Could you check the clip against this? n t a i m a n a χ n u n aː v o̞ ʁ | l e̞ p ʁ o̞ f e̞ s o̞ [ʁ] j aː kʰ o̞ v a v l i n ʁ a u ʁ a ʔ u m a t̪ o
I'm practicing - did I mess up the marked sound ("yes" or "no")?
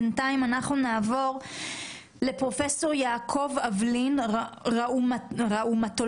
no